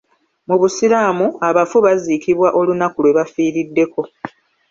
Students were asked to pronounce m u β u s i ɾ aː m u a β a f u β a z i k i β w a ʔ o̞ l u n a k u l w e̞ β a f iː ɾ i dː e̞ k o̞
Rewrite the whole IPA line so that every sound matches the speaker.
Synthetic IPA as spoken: m u β u s i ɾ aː m u a β a f u β a z i k i β w a ʔ o̞ l u n a k u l w e̞ β a f iː ɾ i dː e̞ k o̞